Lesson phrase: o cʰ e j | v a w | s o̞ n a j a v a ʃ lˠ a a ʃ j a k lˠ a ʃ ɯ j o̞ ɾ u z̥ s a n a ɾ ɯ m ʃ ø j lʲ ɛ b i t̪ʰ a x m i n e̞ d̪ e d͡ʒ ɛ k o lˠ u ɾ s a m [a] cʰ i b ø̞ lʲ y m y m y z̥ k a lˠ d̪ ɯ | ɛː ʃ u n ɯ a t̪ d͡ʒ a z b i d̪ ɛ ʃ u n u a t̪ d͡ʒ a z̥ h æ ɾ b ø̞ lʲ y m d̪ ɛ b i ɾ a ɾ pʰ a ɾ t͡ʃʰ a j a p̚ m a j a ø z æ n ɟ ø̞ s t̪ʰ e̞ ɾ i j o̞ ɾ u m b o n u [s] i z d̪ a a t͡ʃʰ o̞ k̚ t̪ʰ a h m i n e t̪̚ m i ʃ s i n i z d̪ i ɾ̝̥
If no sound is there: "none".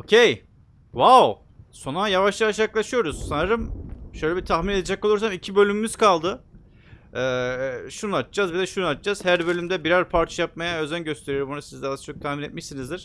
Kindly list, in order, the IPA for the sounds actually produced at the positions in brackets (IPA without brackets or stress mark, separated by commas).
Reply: i, s